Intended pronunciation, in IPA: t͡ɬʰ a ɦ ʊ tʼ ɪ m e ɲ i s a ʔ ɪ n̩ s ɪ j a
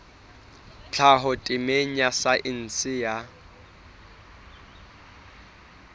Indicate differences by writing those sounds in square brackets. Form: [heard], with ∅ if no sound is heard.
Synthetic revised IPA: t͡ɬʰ a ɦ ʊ tʼ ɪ m e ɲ [a] s a ʔ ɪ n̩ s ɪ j a